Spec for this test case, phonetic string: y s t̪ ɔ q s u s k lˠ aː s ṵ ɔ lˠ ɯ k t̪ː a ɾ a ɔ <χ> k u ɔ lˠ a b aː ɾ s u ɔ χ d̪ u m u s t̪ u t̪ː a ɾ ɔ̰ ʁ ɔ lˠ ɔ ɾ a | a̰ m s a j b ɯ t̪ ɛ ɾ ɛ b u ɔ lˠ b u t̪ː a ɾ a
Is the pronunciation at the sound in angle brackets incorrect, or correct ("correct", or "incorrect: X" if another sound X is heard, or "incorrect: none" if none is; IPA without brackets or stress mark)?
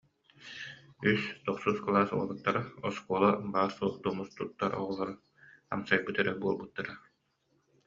incorrect: s